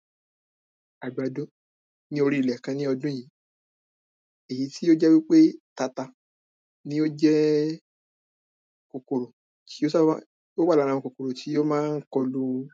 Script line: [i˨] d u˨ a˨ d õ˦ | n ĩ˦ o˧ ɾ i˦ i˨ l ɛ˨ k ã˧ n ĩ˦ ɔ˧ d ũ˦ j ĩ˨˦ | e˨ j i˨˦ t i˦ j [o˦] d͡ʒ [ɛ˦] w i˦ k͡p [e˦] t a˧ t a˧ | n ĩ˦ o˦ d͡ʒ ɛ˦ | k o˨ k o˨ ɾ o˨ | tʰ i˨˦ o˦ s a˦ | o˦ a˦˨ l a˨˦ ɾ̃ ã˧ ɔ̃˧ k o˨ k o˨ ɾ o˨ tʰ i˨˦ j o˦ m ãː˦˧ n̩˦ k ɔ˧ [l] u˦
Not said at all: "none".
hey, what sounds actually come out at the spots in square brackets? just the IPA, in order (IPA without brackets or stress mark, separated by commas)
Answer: a˨, o˦, ɛ˦, e˦, l